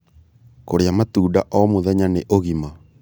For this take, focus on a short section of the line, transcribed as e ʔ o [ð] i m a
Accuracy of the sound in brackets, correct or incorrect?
incorrect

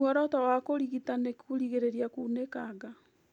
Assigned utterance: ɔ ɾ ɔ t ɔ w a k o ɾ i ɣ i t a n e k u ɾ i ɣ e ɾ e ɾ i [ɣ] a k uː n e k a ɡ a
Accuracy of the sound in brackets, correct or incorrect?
incorrect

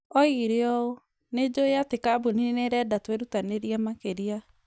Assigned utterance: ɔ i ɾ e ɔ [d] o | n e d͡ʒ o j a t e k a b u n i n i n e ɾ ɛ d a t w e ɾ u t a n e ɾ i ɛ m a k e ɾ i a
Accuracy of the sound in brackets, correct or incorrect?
incorrect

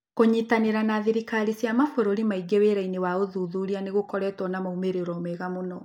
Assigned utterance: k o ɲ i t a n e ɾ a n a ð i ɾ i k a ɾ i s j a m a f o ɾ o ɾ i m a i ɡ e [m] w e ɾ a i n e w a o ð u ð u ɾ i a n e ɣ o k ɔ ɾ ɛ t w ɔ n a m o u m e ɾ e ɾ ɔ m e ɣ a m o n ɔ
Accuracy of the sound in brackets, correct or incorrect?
incorrect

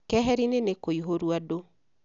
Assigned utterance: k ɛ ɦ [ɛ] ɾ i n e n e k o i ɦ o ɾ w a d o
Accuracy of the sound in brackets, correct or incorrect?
correct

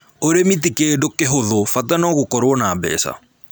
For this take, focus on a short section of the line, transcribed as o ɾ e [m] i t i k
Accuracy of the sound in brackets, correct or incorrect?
correct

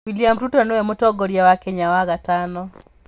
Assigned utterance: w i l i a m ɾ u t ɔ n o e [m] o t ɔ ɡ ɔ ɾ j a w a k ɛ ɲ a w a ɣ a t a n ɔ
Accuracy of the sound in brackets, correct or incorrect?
correct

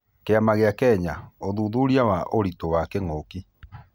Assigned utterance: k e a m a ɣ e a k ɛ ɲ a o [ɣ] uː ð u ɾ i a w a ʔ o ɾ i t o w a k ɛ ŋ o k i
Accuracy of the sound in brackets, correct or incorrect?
incorrect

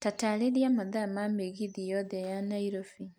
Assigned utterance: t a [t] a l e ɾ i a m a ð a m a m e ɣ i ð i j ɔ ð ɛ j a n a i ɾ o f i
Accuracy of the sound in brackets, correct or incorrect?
correct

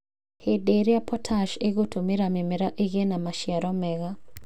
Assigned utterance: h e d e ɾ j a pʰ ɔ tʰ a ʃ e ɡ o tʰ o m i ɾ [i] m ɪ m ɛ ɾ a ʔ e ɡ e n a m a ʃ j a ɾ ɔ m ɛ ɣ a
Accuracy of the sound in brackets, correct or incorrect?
incorrect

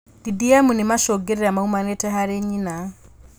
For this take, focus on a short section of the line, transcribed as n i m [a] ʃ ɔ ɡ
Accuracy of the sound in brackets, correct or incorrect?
correct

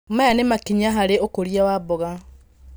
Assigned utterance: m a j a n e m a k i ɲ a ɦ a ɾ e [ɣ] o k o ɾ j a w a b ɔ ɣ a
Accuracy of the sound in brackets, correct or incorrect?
incorrect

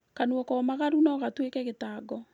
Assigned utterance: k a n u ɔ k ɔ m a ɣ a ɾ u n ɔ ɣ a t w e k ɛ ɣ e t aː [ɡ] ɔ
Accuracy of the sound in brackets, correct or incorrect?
correct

